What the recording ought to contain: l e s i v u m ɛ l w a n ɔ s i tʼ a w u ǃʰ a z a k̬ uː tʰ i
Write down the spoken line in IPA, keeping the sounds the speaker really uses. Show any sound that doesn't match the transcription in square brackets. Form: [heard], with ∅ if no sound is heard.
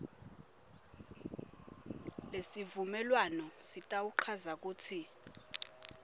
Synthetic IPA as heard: l e s i v u m ɛ l w a n ɔ s i tʼ a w u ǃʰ a z a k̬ uː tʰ i